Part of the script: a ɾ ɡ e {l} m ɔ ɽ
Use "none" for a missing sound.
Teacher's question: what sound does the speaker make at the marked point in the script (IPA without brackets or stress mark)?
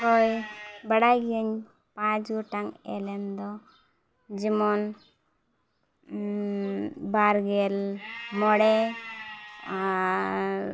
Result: l